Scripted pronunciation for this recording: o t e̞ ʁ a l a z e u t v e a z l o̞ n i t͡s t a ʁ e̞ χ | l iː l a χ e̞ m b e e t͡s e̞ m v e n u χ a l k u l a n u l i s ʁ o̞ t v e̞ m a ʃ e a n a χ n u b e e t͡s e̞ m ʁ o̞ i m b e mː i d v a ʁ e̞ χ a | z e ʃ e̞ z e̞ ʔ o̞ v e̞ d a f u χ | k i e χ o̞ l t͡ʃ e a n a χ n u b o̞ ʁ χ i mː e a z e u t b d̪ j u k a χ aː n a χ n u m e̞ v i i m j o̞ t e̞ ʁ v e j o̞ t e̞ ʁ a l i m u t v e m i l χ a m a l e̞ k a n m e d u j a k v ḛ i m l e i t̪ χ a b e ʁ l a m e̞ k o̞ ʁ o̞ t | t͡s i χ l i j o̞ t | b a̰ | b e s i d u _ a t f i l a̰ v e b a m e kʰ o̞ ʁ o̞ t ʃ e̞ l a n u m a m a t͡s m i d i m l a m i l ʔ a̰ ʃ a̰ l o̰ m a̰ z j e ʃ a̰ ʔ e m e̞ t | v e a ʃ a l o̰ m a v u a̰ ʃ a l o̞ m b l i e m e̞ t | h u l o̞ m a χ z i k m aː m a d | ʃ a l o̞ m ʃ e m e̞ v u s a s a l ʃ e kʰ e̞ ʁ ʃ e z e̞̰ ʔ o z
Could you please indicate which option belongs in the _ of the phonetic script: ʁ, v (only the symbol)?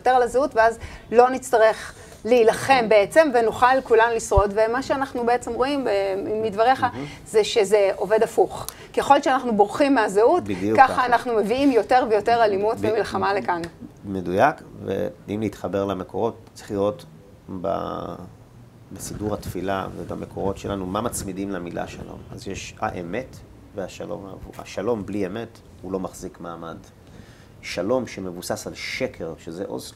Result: ʁ